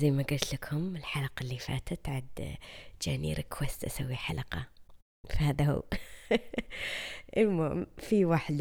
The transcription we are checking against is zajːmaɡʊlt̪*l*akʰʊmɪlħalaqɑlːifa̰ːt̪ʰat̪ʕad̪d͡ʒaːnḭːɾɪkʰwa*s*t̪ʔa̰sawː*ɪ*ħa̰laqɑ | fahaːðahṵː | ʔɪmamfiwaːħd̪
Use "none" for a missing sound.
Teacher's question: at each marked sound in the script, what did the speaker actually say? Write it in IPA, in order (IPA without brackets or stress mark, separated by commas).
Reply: l, s, i